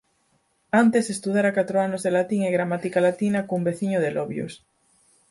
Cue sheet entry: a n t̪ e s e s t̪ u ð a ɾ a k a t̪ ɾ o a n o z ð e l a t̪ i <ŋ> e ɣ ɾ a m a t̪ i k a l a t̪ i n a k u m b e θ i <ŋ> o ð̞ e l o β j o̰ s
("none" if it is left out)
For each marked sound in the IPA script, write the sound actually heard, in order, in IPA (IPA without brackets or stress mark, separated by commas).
ŋ, ɲ